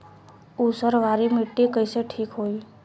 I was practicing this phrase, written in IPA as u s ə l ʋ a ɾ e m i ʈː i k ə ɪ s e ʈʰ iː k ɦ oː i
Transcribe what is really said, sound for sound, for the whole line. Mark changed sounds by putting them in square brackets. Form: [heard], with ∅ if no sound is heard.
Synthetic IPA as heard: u s ə [ɾ] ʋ a ɾ [i] m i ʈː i k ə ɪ s e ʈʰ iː k ɦ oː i